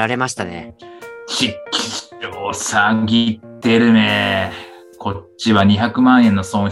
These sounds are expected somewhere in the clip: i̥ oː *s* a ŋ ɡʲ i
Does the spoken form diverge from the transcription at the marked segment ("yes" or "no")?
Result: no